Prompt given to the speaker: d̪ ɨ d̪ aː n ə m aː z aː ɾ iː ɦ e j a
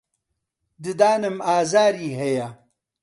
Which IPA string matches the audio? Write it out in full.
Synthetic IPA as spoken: d̪ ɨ d̪ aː n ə m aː z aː ɾ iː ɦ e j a